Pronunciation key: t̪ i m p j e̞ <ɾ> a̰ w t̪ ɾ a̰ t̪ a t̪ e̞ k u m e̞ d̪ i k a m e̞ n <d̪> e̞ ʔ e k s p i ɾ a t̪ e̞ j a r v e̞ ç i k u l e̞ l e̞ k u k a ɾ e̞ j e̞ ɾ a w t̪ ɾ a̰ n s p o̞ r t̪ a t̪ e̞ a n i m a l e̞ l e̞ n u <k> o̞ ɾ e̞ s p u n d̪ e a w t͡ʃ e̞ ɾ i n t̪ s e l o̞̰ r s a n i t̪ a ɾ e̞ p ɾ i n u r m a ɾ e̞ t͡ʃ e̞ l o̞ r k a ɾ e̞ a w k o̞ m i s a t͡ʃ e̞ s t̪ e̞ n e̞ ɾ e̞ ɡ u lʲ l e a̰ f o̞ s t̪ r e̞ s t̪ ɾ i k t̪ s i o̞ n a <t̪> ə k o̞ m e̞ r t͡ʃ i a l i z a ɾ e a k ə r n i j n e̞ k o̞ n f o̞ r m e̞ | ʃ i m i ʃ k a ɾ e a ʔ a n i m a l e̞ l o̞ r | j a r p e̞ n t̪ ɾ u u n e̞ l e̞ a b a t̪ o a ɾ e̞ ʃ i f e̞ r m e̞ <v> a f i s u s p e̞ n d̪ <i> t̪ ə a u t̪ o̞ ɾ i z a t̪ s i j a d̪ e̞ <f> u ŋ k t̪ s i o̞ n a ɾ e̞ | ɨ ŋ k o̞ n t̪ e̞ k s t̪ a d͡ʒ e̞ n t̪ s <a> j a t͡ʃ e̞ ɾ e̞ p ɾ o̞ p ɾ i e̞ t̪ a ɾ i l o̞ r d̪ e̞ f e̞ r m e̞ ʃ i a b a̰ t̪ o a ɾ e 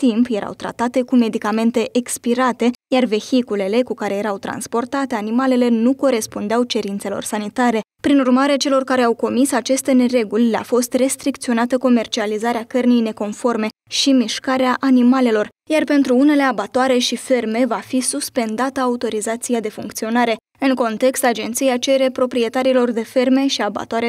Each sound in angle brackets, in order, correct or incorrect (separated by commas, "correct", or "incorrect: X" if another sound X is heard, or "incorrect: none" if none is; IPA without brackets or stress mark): correct, incorrect: t̪, correct, correct, correct, incorrect: a, correct, incorrect: i